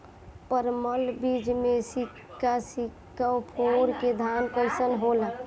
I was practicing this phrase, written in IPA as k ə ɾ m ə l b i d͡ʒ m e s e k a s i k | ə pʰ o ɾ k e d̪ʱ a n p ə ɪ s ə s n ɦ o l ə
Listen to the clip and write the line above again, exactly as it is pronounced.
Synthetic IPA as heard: p ə ɾ m ə l b i d͡ʒ m e s i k a s i k | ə pʰ o ɾ k e d̪ʱ a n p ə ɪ s ə n ɦ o l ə